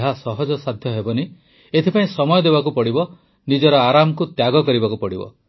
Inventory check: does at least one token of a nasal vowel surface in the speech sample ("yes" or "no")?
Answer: yes